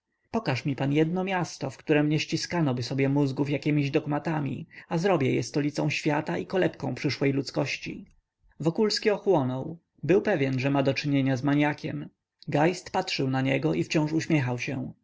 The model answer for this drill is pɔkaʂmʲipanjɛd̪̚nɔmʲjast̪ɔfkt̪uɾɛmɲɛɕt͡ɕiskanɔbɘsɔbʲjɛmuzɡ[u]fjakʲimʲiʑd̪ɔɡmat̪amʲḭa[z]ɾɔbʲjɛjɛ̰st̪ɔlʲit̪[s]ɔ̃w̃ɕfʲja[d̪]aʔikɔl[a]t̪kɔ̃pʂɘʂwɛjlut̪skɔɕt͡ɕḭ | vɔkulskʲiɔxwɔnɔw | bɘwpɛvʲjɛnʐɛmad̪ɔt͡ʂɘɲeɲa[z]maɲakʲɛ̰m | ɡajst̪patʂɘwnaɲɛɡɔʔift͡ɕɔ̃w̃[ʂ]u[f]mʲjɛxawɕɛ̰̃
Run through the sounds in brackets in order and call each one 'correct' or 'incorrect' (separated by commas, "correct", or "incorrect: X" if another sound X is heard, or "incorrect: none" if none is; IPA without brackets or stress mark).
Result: correct, correct, correct, incorrect: t̪, incorrect: ɛ, correct, correct, incorrect: ɕ